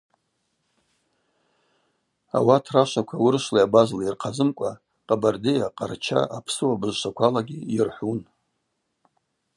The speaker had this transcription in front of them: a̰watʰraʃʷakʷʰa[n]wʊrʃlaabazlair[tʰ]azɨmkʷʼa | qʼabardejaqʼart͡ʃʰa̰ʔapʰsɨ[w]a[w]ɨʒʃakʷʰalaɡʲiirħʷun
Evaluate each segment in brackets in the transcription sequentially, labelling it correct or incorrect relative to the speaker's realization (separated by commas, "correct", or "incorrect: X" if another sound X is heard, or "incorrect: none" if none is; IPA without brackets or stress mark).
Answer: incorrect: none, incorrect: qʰ, correct, incorrect: b